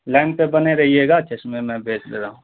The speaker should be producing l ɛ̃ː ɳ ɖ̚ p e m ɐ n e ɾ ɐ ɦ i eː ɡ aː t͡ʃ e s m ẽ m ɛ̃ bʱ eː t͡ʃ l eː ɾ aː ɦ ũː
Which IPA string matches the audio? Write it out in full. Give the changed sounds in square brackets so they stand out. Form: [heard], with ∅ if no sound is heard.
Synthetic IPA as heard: l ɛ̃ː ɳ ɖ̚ p e [b] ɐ n e ɾ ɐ ɦ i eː ɡ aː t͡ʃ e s m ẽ m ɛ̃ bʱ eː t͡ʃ l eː ɾ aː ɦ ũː